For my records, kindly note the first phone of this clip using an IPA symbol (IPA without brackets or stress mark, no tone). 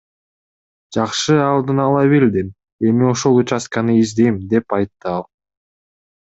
d͡ʒ